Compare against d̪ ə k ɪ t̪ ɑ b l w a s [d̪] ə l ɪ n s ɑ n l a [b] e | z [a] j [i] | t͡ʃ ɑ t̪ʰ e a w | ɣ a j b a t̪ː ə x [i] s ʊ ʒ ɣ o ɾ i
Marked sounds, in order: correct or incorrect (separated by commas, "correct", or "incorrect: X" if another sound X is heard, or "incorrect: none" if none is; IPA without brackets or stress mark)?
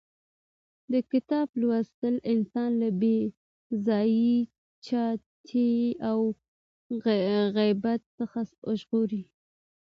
incorrect: t̪, correct, incorrect: ɑ, correct, incorrect: a